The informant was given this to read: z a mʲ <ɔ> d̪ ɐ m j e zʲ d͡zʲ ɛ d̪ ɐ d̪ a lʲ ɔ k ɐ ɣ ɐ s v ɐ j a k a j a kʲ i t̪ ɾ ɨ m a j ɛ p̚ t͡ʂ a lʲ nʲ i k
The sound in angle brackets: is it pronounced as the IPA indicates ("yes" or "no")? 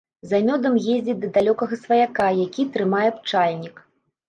yes